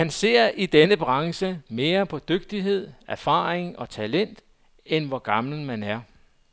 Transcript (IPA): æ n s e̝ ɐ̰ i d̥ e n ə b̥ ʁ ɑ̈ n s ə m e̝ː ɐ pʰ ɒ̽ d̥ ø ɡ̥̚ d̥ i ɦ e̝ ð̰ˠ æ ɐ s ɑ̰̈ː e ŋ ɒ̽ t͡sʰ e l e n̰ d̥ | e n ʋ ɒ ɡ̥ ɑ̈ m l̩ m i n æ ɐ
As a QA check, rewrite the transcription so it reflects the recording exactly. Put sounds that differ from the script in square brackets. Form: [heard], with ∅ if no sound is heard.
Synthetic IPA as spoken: æ n s e̝ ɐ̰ i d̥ e n ə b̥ ʁ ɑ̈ [ŋ] s ə m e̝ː ɐ pʰ ɒ̽ d̥ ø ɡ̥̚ d̥ i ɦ e̝ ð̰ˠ æ ɐ [f] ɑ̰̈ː e ŋ ɒ̽ t͡sʰ [æ] l e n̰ d̥ | e n ʋ ɒ ɡ̥ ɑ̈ m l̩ m [æ] n æ ɐ